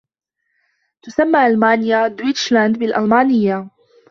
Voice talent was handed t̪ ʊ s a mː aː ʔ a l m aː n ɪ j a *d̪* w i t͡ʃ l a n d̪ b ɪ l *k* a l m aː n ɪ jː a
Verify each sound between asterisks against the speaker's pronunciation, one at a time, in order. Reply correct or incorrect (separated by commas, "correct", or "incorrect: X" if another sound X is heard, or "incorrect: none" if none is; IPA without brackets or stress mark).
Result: correct, incorrect: ʔ